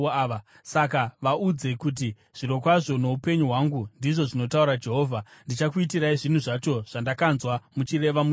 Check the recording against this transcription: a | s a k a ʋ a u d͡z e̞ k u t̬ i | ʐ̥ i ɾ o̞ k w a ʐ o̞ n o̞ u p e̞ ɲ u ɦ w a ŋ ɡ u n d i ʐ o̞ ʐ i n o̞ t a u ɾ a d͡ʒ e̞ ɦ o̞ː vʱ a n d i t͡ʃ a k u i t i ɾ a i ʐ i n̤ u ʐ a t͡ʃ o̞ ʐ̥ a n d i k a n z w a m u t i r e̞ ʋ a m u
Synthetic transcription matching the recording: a | s a k a ʋ a u d͡z e̞ k u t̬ i | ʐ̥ i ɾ o̞ k w a ʐ o̞ n o̞ u p e̞ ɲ u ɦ w a ŋ ɡ u n d i ʐ o̞ ʐ i n o̞ t a u ɾ a d͡ʒ e̞ ɦ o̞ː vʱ a n d i t͡ʃ a k u i t i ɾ a i ʐ i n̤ u ʐ a t͡ʃ o̞ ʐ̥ a n d a k a n z w a m u t͡ʃ i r e̞ ʋ a m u